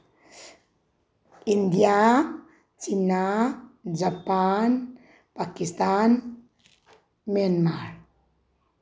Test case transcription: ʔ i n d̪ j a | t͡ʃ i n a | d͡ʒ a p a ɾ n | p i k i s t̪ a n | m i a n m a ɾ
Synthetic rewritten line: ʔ i n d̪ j a | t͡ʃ i n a | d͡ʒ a p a n | p a k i s t̪ a n | m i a n m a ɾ